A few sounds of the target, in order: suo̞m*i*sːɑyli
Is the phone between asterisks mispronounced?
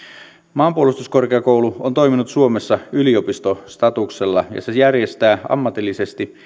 yes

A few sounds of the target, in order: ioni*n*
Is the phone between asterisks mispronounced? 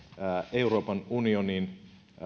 no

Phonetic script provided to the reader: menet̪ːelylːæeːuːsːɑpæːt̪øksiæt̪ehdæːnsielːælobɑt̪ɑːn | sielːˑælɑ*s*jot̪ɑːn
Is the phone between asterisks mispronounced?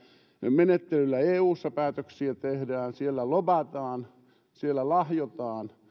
yes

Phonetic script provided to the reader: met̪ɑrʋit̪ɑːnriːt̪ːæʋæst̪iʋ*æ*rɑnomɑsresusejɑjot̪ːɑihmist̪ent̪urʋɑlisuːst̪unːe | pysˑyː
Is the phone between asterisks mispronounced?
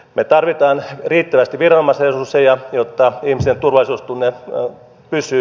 yes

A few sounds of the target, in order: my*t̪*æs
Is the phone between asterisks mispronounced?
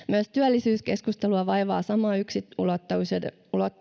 yes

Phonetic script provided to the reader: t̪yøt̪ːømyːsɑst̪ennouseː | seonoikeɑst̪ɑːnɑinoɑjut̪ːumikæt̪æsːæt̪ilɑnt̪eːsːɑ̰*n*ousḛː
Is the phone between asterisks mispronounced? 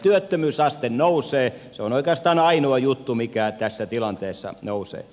no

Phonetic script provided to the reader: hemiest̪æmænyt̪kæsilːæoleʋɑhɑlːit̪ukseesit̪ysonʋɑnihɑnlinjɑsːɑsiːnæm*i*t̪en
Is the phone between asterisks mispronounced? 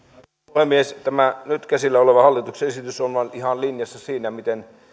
no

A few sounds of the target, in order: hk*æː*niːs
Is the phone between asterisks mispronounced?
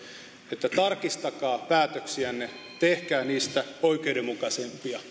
no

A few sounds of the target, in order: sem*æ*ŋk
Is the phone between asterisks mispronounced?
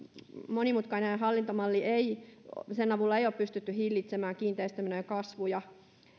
yes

